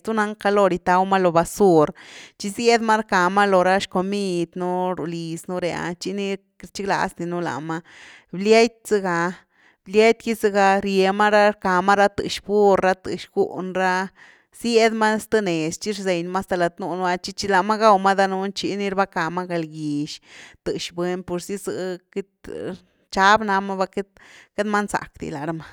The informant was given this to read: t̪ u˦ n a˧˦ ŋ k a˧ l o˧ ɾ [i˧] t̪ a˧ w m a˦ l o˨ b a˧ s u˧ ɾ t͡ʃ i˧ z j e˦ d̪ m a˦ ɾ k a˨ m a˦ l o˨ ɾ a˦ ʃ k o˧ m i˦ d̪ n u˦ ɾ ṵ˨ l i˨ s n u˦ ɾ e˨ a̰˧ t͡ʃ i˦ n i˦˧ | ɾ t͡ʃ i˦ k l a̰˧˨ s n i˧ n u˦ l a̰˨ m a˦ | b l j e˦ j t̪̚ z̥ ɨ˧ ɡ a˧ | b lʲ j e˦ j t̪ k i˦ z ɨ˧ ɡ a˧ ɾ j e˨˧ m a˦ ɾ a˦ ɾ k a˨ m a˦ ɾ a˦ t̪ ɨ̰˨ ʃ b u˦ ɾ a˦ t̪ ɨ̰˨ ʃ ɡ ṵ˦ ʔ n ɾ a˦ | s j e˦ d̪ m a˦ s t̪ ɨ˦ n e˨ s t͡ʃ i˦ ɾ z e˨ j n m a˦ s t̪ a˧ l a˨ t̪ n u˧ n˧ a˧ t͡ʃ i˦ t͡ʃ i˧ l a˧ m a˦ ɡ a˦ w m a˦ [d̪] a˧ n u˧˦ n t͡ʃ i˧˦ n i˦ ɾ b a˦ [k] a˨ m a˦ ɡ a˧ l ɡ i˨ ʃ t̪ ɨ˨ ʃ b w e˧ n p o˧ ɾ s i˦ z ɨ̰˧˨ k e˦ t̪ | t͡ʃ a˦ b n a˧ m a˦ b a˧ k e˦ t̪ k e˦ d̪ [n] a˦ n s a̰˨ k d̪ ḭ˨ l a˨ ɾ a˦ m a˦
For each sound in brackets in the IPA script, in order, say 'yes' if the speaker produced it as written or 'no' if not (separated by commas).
yes, yes, yes, no